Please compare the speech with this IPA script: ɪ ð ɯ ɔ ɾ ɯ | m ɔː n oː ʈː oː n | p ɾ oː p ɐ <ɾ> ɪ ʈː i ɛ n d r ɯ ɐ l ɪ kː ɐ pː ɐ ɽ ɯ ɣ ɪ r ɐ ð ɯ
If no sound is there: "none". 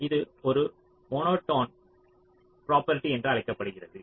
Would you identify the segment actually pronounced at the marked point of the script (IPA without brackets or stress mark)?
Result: ɾ